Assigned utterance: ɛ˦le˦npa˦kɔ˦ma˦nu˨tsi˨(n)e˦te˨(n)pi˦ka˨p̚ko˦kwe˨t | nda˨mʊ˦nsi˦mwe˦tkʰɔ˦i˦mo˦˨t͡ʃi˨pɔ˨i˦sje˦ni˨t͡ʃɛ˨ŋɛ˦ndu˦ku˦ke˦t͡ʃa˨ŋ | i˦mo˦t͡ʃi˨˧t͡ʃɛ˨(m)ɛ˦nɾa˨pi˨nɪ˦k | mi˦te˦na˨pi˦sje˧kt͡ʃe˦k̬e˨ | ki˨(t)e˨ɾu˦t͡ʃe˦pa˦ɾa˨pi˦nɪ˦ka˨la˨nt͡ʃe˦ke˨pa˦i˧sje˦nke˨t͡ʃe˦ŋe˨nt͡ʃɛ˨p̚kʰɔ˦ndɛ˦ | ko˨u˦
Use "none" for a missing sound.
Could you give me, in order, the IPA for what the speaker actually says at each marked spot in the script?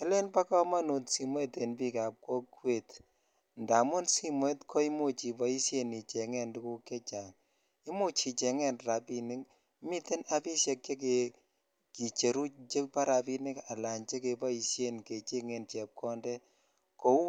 m, n, ŋ, t͡ʃ

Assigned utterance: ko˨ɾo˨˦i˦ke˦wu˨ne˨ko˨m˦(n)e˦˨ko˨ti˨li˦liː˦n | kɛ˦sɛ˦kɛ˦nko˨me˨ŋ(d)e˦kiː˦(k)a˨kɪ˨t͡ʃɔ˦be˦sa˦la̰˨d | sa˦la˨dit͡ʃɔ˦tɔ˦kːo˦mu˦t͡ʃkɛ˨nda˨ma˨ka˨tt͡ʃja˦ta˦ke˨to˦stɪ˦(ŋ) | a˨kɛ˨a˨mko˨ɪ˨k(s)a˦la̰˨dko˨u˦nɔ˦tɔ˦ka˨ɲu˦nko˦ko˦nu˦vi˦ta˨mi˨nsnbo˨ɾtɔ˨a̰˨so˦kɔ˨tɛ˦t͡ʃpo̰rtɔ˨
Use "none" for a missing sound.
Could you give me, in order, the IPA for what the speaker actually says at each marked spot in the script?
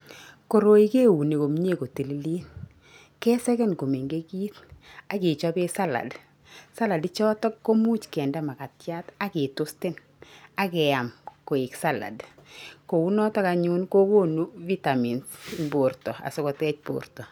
ɲ, ɡ, t, n, s

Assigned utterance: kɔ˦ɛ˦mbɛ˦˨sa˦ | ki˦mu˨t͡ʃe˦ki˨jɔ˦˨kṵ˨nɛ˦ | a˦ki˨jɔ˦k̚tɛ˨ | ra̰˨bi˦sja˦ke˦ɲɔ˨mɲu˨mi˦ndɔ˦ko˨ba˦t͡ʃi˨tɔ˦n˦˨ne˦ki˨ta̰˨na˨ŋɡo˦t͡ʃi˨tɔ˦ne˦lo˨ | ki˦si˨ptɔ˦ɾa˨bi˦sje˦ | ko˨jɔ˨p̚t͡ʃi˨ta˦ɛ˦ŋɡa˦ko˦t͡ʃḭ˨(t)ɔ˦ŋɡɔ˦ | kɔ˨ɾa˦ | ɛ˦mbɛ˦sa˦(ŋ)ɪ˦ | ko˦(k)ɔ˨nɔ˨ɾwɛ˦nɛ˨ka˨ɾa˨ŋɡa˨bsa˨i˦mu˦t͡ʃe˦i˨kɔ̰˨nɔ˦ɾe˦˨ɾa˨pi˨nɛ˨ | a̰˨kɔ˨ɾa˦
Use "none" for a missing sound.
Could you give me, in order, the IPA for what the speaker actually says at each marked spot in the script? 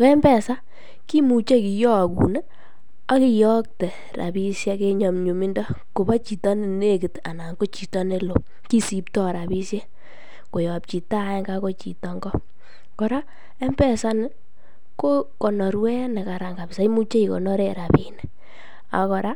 t, n, k

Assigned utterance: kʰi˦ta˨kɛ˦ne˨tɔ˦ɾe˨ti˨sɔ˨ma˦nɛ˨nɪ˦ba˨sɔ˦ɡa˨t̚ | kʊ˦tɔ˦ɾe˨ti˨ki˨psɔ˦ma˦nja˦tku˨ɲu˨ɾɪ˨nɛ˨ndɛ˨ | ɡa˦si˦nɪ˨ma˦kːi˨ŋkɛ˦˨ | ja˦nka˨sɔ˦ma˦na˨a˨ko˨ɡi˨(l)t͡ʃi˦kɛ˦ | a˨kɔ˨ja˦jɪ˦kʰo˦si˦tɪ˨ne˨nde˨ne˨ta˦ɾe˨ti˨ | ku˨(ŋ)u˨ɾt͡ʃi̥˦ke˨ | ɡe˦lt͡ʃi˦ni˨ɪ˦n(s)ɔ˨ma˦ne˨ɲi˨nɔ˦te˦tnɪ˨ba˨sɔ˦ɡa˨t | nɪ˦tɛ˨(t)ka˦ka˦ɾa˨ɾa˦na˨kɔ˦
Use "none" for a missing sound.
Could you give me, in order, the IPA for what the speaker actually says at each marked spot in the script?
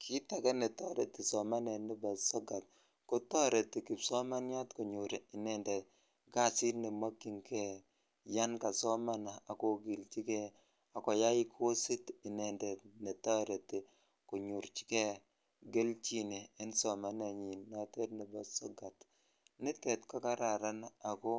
l, ɲ, s, t

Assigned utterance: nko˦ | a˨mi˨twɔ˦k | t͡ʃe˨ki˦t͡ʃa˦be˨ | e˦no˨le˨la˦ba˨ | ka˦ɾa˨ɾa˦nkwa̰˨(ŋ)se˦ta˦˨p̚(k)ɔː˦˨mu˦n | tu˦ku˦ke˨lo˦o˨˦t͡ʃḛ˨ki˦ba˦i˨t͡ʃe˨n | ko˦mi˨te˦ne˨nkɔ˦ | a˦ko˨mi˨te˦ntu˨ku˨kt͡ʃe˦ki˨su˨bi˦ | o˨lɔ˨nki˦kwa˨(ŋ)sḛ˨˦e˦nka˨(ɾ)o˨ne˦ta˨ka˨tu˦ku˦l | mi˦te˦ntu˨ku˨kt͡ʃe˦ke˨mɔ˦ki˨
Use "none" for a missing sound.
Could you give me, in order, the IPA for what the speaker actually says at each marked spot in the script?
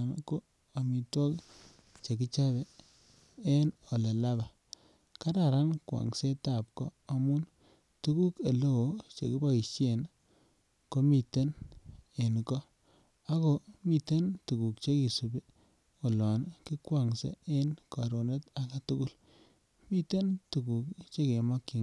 ŋ, k, ŋ, ɾ

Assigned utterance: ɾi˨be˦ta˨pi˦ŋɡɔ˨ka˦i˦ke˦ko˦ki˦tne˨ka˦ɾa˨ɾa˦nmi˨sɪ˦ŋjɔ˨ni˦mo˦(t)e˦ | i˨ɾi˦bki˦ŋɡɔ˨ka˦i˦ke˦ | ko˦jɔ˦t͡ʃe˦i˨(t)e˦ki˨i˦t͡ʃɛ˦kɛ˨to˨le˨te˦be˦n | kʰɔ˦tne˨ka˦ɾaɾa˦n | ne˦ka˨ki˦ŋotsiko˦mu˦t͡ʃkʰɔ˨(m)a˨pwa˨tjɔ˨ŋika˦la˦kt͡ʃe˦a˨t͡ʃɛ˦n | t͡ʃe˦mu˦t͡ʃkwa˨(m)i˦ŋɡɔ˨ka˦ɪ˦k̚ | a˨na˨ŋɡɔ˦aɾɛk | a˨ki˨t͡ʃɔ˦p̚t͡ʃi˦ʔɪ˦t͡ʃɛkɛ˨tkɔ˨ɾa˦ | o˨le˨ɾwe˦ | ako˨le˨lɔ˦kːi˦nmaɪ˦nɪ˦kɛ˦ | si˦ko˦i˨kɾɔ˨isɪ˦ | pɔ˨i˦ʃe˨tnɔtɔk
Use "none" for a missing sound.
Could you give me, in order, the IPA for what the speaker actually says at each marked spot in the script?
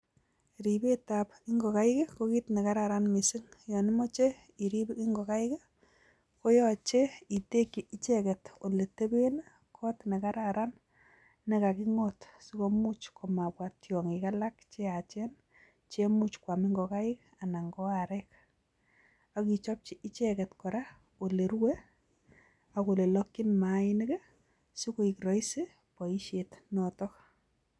t͡ʃ, t, m, m

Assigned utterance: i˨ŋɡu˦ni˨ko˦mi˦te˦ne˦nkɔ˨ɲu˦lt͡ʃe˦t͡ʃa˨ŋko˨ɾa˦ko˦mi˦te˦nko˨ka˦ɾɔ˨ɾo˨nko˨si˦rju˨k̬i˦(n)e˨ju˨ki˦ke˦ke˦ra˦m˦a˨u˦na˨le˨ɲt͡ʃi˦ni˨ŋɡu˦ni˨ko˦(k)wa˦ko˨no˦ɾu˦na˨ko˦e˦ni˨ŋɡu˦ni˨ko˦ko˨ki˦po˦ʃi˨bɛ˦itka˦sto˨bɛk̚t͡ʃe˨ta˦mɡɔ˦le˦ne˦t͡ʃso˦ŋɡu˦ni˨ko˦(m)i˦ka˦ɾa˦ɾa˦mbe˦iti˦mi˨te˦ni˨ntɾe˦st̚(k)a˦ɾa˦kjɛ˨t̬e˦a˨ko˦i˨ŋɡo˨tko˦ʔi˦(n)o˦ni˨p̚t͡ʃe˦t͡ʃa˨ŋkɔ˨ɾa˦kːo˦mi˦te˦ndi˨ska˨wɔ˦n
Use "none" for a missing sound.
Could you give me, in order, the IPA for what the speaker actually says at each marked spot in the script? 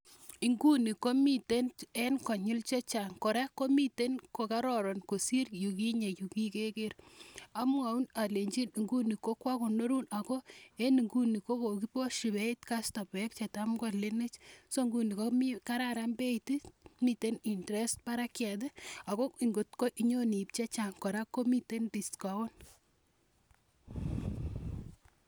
ɲ, k, m, p, ɲ

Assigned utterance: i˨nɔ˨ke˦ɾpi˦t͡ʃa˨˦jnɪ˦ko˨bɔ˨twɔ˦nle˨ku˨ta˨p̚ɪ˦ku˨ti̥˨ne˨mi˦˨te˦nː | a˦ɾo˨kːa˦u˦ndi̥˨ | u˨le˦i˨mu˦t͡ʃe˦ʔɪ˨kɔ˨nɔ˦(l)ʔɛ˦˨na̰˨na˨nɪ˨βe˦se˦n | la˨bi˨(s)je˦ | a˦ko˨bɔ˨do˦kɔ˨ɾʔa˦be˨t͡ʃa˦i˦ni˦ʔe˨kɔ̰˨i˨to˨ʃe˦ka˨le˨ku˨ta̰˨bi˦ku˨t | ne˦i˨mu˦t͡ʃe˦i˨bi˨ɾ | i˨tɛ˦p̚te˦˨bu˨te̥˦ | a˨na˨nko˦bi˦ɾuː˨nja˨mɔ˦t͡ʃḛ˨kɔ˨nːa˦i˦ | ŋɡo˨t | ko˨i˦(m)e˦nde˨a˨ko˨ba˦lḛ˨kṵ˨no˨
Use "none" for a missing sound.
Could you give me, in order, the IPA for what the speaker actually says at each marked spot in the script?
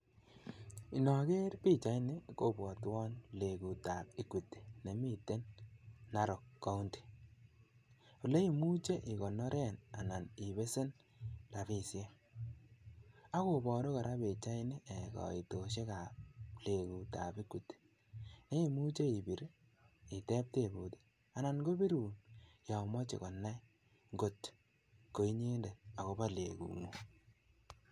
ɾ, s, ɲ

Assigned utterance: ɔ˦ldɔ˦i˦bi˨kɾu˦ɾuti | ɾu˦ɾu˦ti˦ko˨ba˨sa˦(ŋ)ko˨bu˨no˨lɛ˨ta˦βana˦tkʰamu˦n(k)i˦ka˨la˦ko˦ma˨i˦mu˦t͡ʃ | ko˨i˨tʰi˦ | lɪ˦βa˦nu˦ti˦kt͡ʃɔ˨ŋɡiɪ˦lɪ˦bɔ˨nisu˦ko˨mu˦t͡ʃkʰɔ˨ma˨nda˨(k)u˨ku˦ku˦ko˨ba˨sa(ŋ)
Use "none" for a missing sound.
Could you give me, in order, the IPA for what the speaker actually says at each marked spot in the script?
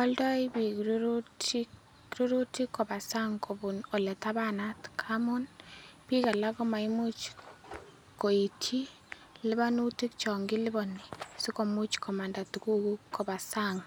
ŋ, p, t, ŋ

